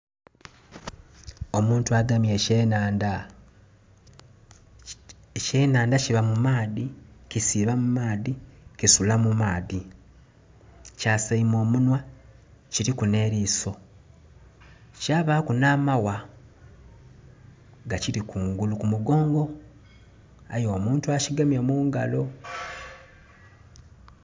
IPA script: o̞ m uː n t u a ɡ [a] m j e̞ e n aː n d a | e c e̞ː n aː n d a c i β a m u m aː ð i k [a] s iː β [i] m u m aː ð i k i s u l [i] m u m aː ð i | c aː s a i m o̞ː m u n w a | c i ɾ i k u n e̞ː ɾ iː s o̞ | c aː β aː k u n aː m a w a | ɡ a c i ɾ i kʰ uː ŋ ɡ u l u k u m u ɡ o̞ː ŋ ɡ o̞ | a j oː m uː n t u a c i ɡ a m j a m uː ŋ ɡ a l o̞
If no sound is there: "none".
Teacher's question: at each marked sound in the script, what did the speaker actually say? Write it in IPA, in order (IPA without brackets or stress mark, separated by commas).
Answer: a, i, a, a